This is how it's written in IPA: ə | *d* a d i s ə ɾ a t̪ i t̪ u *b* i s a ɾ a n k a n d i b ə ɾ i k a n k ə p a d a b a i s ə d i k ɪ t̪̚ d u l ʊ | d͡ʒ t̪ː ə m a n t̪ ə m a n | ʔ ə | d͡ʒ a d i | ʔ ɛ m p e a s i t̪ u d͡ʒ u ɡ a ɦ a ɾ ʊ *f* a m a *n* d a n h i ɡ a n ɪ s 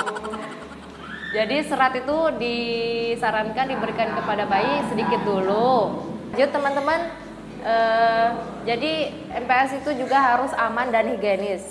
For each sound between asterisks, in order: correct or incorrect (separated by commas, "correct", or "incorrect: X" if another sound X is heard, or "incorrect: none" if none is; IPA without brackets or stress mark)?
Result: incorrect: d͡ʒ, incorrect: d, incorrect: s, correct